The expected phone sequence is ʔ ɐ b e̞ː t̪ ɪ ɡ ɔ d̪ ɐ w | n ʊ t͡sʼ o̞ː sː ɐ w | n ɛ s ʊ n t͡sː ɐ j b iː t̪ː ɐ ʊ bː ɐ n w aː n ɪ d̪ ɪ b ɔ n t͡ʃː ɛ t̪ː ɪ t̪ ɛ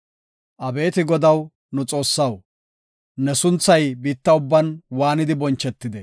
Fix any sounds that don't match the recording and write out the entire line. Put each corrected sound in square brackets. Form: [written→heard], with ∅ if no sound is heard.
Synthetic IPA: ʔ ɐ b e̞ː t̪ ɪ ɡ ɔ d̪ ɐ w | n ʊ t͡sʼ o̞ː sː ɐ w | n ɛ s ʊ n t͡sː ɐ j b iː t̪ː ɐ ʊ bː ɐ n w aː n ɪ d̪ ɪ b ɔ n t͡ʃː ɛ t̪ː ɪ [t̪→d̪] ɛ